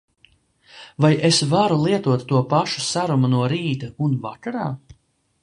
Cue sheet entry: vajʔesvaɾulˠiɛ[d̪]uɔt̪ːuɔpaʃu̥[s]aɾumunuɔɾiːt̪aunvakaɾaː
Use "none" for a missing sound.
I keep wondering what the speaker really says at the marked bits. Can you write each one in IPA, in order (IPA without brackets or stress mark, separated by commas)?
t̪, s